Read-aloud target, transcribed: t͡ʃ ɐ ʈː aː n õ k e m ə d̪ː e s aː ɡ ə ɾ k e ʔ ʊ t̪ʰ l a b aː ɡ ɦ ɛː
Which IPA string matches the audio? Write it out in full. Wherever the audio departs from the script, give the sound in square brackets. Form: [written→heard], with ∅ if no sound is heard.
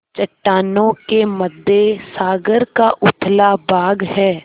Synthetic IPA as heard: t͡ʃ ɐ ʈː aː n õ k e m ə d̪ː e s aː ɡ ə ɾ k [e→a] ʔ ʊ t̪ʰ l a b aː ɡ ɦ ɛː